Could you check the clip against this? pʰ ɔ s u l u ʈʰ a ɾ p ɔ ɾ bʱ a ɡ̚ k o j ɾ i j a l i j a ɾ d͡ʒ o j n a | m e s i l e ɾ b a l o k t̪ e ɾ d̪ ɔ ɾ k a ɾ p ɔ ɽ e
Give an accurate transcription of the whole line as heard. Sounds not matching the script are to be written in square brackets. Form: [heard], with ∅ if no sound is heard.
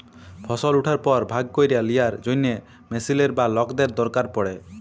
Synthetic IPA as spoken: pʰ ɔ s [ɔ] l u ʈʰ a ɾ p ɔ ɾ bʱ a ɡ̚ k o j ɾ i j a l i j a ɾ d͡ʒ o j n [e] | m e s i l e ɾ b a l [ɔ] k [d̪] e ɾ d̪ ɔ ɾ k a ɾ p ɔ ɽ e